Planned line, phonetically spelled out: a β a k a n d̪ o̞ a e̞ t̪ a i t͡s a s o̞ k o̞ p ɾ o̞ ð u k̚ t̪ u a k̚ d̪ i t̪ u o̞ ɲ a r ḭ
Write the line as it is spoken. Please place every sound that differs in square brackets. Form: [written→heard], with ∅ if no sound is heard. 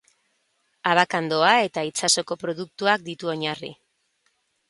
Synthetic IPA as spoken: a β a k a n d̪ o̞ a e̞ t̪ a i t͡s a s o̞ k o̞ p ɾ o̞ ð u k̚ t̪ u a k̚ d̪ i t̪ u o̞ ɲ a r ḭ